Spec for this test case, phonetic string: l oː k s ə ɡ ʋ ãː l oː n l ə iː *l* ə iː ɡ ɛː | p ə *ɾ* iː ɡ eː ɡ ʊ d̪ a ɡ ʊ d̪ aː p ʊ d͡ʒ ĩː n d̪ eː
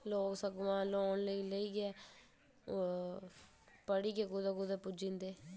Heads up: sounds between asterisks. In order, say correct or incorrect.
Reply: correct, incorrect: ɽ

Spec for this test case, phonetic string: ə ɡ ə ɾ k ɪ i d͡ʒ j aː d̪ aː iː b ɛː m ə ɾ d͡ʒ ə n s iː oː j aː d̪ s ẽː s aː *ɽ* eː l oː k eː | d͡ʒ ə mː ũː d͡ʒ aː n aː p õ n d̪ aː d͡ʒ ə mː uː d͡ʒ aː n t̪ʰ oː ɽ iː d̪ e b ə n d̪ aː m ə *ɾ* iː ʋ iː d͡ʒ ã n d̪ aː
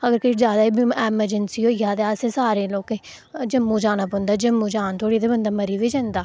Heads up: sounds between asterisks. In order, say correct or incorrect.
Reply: incorrect: ɾ, correct

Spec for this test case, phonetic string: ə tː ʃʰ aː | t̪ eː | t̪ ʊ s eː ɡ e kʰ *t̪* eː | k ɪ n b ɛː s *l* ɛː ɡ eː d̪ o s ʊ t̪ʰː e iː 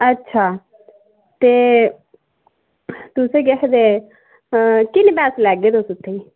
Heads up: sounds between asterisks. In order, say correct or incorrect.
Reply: incorrect: d̪, correct

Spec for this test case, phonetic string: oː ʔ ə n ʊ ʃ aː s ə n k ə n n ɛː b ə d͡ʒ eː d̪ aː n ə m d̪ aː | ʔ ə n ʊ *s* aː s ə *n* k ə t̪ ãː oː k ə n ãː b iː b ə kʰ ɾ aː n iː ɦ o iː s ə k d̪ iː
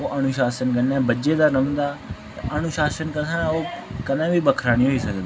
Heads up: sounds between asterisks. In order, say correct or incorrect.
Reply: incorrect: ʃ, correct

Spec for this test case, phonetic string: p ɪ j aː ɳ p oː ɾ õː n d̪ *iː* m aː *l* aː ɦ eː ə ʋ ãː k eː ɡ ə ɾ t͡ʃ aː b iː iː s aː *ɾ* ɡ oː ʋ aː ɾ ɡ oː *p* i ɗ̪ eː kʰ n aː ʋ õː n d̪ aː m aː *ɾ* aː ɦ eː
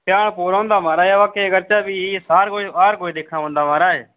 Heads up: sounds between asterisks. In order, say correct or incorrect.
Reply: incorrect: aː, incorrect: ɾ, correct, incorrect: none, correct

